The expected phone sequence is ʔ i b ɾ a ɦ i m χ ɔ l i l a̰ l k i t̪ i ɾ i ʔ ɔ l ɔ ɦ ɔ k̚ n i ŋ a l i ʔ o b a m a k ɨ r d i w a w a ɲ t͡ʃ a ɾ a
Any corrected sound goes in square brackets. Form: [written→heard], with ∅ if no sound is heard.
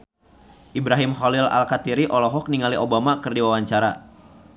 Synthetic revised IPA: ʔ i b ɾ a ɦ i m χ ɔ l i l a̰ l k [i→a] t̪ i ɾ i ʔ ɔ l ɔ ɦ ɔ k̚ n i ŋ a l i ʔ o b a m a k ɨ r d i w a w a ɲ t͡ʃ a ɾ a